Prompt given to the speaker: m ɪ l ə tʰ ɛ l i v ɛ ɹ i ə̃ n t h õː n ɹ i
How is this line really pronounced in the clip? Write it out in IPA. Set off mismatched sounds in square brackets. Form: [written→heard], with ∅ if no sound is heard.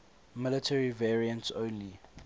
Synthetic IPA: m ɪ l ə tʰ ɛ [l→ɹ] i v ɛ ɹ i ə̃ n t [h→s] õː n [ɹ→l] i

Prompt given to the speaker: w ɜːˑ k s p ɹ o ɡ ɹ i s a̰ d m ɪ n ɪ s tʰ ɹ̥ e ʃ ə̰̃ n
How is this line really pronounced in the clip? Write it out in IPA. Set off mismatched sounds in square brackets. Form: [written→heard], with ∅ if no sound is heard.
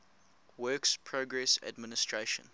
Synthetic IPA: w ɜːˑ k s [p→pʰ] ɹ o ɡ ɹ [i→ɛ] s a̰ d m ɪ n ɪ s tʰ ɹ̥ e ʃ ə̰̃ n

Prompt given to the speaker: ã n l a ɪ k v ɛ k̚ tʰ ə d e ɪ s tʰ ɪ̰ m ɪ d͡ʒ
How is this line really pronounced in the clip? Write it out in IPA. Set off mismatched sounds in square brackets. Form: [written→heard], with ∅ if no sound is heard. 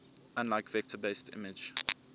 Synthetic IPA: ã n l a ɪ k v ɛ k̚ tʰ ə [d→b] e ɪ s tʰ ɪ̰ m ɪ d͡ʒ

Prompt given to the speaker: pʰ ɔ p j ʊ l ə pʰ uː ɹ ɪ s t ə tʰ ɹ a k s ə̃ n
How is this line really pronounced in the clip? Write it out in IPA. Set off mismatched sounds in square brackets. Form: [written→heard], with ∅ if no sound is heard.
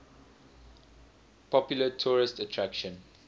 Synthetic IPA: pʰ ɔ p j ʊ l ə [pʰ→tʰ] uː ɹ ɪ s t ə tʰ ɹ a k [s→ʃ] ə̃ n

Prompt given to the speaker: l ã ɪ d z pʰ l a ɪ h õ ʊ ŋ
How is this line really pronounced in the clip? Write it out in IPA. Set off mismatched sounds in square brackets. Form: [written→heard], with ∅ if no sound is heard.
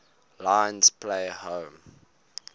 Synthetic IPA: l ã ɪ [d→n] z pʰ l [a→e] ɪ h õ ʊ [ŋ→m]

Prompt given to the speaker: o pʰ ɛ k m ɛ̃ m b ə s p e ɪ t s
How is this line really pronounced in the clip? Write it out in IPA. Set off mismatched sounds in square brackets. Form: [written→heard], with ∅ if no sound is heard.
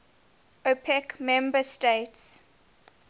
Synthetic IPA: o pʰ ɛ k m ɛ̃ m b ə s [p→t] e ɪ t s

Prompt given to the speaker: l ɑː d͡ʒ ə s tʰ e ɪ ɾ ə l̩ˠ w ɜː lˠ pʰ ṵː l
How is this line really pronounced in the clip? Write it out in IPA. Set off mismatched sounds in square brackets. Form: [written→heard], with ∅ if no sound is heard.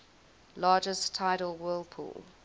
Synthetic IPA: l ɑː d͡ʒ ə s tʰ [e→a] ɪ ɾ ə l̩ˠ w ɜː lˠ pʰ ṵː l

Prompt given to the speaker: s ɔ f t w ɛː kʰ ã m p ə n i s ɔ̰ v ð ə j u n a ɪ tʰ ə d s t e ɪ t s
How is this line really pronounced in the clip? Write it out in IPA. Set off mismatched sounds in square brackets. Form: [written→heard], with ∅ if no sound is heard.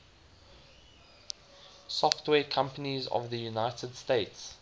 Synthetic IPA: s ɔ f t w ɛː kʰ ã m p ə n i [s→z] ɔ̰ v ð ə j u n a ɪ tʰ ə d s t e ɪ t s

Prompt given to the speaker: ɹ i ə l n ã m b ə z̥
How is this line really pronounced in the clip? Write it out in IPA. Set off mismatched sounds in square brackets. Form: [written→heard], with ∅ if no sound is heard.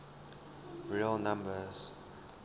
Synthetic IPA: ɹ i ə l n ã m b ə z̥

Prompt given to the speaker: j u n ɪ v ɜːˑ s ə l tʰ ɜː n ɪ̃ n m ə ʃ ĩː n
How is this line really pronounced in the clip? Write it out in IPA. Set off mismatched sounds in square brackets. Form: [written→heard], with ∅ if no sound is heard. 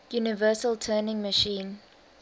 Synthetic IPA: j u n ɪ v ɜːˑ s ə l tʰ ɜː n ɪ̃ [n→ŋ] m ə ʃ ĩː n

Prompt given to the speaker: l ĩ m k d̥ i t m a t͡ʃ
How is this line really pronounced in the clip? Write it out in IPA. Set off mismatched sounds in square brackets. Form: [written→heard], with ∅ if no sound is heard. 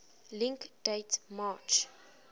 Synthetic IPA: l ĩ [m→ŋ] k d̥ [i→e] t m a t͡ʃ

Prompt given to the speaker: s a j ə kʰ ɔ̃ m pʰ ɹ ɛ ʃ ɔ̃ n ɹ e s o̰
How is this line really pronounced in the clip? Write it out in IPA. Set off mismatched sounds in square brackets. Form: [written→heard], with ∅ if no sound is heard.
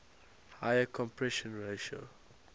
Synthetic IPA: [s→h] a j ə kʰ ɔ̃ m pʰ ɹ ɛ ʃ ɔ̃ n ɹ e [s→ʃ] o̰

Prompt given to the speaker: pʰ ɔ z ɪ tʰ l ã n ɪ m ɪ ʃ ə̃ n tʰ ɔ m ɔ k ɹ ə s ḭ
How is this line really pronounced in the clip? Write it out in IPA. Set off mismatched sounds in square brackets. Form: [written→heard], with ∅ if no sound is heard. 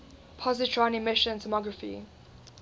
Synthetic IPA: pʰ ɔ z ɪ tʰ [l→ɹ] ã n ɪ m ɪ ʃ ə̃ n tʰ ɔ m ɔ [k→ɡ] ɹ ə [s→f] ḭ

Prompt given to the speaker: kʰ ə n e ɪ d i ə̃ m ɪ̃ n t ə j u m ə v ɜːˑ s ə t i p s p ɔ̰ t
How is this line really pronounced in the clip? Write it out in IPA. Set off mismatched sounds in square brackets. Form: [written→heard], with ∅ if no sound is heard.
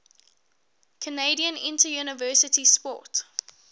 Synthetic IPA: kʰ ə n e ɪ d i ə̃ [m→n] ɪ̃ n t ə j u [m→n] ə v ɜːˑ s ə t i [p→∅] s p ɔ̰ t

